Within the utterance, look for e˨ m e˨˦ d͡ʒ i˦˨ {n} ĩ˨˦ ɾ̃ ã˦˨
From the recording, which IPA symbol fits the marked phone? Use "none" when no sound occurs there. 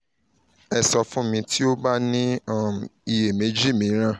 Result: m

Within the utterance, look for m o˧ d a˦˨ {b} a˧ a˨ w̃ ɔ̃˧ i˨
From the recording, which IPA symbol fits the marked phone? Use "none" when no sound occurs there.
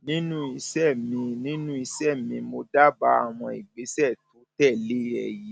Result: b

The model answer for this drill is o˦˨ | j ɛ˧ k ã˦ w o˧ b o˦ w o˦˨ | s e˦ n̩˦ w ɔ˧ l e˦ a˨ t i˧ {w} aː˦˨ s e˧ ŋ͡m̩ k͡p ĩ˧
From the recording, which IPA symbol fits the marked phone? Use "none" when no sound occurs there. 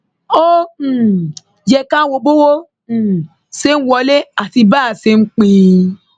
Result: b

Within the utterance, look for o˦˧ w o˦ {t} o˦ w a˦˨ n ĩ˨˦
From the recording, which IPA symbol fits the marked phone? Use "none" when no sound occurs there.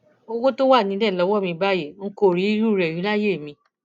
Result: t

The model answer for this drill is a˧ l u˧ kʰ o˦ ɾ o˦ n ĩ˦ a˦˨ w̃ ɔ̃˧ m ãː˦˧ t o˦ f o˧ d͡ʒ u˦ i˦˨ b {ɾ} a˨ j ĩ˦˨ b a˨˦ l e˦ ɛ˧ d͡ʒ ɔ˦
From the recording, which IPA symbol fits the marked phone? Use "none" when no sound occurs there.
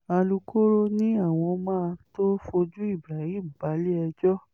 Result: ɾ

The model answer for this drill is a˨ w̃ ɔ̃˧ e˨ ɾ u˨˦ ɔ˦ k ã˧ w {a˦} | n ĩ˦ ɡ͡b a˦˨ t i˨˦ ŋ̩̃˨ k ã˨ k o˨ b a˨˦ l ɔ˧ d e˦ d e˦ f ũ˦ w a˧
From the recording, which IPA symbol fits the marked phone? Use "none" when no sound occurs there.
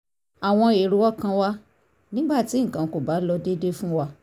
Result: a˦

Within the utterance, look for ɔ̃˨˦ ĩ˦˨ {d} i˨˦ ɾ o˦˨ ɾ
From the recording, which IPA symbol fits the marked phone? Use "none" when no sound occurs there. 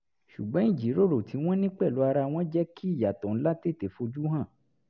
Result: d͡ʒ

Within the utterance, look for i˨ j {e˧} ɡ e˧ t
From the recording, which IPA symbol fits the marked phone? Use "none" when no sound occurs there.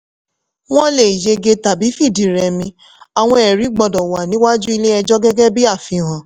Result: e˧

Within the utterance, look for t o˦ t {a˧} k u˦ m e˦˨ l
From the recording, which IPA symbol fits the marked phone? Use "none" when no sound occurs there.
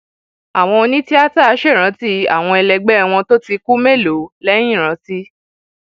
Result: i˧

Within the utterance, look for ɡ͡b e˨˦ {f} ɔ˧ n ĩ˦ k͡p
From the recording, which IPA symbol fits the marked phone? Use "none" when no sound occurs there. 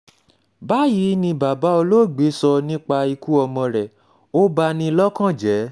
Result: s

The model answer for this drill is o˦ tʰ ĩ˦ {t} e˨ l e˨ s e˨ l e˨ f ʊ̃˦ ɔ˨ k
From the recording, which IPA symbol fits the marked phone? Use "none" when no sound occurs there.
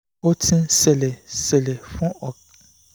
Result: s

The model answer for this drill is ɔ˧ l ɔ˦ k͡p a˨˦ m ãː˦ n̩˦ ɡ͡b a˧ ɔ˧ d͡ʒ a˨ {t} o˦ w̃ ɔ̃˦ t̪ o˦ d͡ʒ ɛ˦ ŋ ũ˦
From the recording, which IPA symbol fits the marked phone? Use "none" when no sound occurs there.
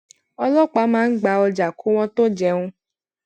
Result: k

